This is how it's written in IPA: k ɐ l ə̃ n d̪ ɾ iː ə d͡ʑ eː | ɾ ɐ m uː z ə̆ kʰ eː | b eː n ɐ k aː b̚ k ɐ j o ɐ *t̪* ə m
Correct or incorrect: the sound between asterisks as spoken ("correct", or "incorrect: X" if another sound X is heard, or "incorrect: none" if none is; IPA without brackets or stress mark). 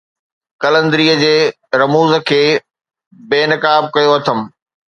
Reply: incorrect: t̪ʰ